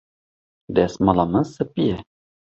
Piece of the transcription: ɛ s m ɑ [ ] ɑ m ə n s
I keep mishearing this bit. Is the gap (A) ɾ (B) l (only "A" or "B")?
B